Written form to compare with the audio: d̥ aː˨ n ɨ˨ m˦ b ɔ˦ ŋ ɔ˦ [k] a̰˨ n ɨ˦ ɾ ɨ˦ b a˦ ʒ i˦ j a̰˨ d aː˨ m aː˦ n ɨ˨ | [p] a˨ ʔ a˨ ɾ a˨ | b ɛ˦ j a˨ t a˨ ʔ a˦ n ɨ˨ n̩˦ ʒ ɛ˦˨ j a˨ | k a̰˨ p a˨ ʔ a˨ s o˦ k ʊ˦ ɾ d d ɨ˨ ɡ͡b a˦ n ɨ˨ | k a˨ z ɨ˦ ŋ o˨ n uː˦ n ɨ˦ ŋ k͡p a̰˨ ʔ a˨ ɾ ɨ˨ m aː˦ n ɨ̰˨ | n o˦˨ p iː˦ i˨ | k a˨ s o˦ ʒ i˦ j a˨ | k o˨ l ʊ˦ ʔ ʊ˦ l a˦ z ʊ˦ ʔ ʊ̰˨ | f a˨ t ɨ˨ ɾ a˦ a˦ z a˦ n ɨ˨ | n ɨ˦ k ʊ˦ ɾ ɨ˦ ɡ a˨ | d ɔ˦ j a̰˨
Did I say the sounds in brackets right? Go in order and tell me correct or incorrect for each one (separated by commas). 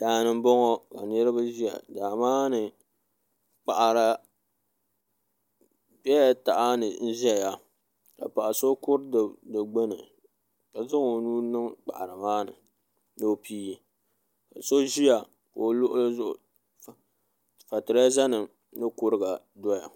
correct, incorrect